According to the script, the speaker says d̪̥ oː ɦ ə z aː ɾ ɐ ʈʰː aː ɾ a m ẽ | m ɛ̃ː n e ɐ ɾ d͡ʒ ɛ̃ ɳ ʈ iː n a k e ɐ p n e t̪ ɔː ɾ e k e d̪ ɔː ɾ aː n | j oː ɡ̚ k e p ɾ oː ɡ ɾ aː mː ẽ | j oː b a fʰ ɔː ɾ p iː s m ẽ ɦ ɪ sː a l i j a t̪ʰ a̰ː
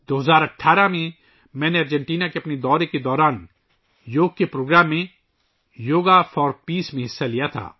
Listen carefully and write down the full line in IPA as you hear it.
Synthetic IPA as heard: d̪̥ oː ɦ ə z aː ɾ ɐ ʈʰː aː ɾ a m ẽ | m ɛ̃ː n e ɐ ɾ d͡ʒ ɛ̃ ɳ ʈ iː n a k e ɐ p n e d̪ ɔː ɾ e k e d̪ ɔː ɾ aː n | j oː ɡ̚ k e p ɾ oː ɡ ɾ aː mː ẽ | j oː ɡ a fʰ ɔː ɾ p iː s m ẽ ɦ ɪ sː a l i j a t̪ʰ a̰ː